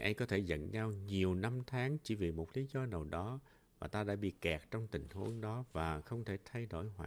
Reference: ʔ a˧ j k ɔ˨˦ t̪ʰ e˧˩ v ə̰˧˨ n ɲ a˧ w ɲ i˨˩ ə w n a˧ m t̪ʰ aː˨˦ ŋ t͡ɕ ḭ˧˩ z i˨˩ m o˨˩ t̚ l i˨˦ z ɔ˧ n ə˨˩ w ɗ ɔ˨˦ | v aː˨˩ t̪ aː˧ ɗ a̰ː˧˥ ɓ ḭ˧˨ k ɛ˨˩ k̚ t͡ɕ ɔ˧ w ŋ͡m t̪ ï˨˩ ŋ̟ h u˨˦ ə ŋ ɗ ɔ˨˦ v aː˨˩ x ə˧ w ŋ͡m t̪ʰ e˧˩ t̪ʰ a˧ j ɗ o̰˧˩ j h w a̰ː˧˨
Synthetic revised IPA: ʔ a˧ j k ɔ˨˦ t̪ʰ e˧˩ z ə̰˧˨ n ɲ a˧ w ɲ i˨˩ ə w n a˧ m t̪ʰ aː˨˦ ŋ t͡ɕ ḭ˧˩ v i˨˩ m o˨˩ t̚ l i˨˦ z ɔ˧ n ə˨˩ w ɗ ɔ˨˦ | v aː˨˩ t̪ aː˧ ɗ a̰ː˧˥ ɓ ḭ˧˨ k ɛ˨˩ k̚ t͡ɕ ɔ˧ w ŋ͡m t̪ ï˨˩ ŋ̟ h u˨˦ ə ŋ ɗ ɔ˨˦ v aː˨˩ x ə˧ w ŋ͡m t̪ʰ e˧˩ t̪ʰ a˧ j ɗ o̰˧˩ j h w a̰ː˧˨